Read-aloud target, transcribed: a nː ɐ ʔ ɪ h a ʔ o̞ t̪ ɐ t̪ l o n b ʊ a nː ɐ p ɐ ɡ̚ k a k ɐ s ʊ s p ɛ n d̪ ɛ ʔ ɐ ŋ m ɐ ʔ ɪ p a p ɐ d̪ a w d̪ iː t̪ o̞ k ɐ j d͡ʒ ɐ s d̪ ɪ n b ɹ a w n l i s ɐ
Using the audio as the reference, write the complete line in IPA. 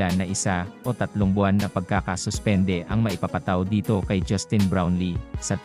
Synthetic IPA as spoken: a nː ɐ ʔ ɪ s a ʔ o̞ t̪ ɐ t̪ l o ŋ b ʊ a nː ɐ p ɐ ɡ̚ k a k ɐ s ʊ s p ɛ n d̪ ɛ ʔ ɐ ŋ m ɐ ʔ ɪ p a p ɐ t̪ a w d̪ iː t̪ o̞ k ɐ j d͡ʒ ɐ s t̪ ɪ n b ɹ a w n l i s ɐ